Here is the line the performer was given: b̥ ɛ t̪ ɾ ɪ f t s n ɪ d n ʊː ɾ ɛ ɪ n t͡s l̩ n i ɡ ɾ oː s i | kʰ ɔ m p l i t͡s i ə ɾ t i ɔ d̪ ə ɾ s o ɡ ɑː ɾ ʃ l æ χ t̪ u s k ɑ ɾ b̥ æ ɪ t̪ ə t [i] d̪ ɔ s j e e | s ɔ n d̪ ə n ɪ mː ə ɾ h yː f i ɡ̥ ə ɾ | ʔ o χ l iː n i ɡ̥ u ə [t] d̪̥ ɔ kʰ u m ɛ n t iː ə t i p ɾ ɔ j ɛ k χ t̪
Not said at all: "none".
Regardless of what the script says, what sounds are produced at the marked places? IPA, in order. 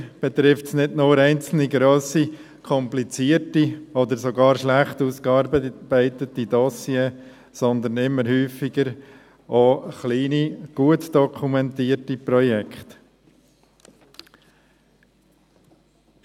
i, t

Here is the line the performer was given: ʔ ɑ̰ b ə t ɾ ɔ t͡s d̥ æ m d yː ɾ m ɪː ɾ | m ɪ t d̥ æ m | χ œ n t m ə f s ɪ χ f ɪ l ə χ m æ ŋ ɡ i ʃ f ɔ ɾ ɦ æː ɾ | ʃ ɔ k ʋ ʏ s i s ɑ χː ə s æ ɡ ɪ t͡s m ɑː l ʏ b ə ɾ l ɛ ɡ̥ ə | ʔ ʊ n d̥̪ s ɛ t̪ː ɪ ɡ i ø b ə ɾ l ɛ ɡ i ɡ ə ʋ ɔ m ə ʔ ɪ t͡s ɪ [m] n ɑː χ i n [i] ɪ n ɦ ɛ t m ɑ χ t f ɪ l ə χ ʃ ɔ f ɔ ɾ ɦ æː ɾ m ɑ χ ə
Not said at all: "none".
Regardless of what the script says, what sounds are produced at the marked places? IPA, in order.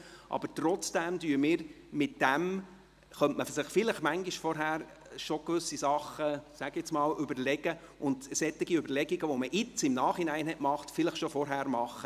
m, æ

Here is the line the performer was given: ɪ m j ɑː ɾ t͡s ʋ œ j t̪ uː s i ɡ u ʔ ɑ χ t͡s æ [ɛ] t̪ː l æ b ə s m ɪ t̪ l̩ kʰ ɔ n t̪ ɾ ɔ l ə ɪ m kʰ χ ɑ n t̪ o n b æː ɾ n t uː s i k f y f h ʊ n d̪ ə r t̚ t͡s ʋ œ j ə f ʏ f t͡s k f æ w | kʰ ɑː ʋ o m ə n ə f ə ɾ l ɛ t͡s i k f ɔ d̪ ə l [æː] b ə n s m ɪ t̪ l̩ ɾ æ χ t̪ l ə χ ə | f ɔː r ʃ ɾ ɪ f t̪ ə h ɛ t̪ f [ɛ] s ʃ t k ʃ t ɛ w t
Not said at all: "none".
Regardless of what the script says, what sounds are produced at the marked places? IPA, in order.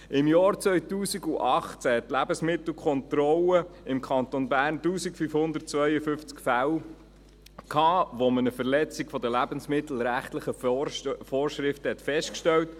ɛ, æ, ɛ

